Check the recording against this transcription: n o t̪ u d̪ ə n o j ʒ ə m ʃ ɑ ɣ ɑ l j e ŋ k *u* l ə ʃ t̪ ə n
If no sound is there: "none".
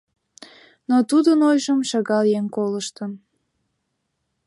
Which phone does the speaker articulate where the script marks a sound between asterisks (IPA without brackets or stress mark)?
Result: o